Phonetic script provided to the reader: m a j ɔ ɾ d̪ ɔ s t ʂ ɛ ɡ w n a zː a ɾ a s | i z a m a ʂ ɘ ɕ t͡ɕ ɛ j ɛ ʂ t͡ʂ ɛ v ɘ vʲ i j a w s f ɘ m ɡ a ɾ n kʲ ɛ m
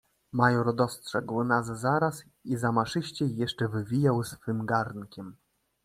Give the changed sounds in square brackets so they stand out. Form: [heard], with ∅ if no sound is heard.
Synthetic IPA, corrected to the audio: m a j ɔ ɾ d̪ ɔ s t ʂ ɛ ɡ w n a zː a ɾ a s | i z a m a ʂ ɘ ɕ t͡ɕ ɛ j ɛ ʂ t͡ʂ ɛ v ɘ vʲ i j a w s f ɘ m ɡ a ɾ n kʲ ɛ m